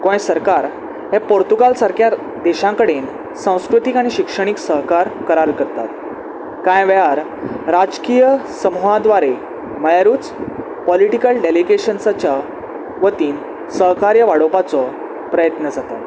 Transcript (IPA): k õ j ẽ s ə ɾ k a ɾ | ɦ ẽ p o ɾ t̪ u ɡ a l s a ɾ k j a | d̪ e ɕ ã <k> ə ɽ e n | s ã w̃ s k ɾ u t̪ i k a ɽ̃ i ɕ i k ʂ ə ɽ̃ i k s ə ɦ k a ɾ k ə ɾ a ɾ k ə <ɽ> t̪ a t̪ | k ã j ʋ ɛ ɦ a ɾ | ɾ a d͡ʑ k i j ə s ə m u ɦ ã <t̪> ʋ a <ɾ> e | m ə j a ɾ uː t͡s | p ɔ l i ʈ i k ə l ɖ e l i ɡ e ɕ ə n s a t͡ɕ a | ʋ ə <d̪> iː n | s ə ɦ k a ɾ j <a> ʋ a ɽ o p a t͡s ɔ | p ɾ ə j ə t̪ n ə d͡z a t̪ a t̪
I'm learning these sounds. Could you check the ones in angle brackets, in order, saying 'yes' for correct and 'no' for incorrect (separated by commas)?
yes, no, no, yes, no, no